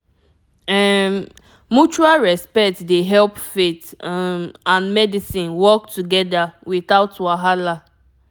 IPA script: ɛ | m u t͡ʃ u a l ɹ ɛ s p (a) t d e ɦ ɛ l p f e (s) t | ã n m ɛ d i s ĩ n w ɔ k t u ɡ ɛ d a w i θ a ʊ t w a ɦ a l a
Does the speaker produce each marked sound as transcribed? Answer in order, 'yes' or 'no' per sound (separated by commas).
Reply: no, no